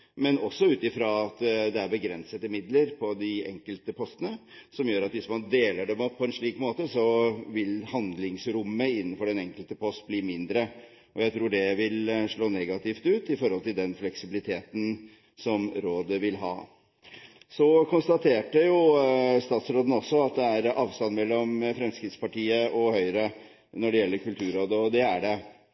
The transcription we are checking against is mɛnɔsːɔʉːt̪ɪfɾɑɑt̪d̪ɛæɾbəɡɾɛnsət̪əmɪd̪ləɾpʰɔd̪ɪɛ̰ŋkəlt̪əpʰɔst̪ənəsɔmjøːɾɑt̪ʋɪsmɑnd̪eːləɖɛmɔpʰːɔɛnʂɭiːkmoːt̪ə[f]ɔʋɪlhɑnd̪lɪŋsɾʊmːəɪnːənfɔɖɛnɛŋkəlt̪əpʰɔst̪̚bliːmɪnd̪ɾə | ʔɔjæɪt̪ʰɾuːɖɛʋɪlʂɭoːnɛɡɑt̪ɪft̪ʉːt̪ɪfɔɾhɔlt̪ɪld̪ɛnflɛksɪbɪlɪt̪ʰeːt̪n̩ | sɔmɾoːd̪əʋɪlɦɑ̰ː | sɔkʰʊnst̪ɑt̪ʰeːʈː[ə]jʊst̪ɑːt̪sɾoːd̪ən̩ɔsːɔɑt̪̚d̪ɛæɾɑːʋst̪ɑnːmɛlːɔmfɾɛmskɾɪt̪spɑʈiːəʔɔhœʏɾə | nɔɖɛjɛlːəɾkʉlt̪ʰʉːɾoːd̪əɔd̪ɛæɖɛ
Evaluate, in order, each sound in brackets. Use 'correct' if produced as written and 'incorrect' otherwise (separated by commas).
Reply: incorrect, correct